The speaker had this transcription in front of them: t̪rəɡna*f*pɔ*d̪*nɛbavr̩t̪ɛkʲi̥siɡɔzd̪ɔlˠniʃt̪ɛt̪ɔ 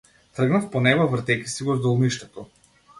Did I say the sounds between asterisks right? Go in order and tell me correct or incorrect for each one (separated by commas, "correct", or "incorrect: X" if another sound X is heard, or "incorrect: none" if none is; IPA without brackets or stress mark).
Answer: correct, incorrect: none